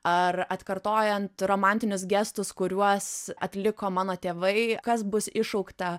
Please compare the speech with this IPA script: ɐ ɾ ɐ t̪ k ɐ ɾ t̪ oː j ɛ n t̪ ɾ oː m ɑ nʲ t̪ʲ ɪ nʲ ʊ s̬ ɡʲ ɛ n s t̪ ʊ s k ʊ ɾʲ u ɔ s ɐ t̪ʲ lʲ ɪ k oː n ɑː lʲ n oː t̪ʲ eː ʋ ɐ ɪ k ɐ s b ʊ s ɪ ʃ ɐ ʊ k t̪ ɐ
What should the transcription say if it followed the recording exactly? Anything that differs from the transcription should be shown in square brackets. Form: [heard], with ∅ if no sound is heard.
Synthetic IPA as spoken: ɐ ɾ ɐ t̪ k ɐ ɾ t̪ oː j ɛ n t̪ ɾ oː m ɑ nʲ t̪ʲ ɪ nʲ ʊ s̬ ɡʲ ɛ [∅] s t̪ ʊ s k ʊ ɾʲ u ɔ s ɐ t̪ʲ lʲ ɪ k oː [m] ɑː [∅] n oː t̪ʲ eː ʋ ɐ ɪ k ɐ s b ʊ s ɪ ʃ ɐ ʊ k t̪ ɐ